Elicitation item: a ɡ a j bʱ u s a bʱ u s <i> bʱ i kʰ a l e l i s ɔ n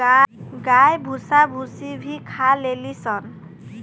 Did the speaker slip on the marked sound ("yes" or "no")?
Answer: no